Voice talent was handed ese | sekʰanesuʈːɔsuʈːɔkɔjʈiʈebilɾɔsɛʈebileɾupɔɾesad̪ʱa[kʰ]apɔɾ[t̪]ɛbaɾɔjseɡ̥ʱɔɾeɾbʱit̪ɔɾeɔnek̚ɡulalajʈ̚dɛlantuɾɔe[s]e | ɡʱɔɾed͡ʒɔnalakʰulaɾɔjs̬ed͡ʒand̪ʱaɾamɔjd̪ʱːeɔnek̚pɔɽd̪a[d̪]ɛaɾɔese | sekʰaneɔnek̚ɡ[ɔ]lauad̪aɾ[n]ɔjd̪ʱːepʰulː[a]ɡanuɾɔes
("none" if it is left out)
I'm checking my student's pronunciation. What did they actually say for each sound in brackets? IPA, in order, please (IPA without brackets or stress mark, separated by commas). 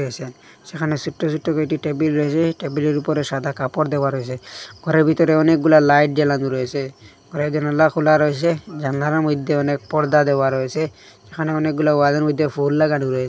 k, d̪, s, d̪, u, m, a